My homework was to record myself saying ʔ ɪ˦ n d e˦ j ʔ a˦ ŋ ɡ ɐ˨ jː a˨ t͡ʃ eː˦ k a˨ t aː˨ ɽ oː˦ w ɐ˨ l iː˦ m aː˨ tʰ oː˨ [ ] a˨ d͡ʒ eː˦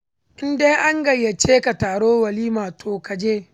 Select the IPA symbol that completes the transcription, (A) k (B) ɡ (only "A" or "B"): A